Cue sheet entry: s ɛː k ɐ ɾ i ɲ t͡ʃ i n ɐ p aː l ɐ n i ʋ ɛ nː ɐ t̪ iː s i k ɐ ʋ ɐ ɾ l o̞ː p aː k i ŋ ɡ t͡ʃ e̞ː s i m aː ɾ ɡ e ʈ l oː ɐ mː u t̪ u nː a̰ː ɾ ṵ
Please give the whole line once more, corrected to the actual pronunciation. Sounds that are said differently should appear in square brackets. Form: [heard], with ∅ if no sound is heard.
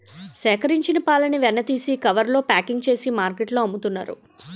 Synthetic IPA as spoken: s ɛː k ɐ ɾ i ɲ t͡ʃ i n ɐ p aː l ɐ n i ʋ ɛ nː ɐ t̪ iː s i k ɐ ʋ ɐ ɾ l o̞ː p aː k i ŋ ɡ t͡ʃ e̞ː s i m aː ɾ [k] e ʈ l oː ɐ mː u t̪ u nː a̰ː ɾ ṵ